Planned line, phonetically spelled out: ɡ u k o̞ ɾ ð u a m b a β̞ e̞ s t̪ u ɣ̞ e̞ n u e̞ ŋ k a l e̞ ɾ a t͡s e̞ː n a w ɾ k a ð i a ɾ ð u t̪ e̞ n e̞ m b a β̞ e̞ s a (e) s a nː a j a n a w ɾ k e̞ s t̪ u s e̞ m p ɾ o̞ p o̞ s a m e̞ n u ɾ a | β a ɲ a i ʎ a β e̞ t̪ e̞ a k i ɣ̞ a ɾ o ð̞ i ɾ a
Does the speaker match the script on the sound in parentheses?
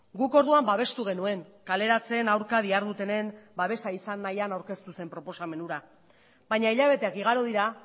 no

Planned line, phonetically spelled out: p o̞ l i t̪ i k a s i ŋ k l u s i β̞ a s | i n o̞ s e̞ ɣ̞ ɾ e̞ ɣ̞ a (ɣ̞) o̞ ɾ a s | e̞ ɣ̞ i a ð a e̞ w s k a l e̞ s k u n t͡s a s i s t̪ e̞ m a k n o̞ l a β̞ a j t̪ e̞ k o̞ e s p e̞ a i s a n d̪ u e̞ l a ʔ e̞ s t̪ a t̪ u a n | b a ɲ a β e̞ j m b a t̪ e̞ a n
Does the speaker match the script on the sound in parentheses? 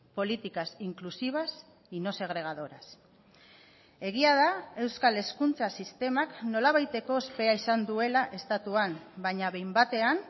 no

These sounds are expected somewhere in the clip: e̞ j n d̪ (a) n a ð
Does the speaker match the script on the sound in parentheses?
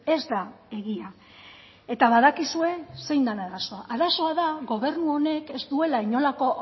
yes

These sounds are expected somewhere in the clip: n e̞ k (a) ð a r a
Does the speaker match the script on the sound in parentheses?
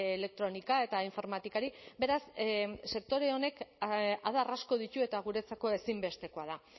yes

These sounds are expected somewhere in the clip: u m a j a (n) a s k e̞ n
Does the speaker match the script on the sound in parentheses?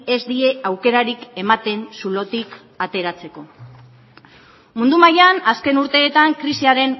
yes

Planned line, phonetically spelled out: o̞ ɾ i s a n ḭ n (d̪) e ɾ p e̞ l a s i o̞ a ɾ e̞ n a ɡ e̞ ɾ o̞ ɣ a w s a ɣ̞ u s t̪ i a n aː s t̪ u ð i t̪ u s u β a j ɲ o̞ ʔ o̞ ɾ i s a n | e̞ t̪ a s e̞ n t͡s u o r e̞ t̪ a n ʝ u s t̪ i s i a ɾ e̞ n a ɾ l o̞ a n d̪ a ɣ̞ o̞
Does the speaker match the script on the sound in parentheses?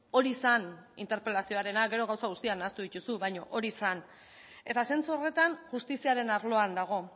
no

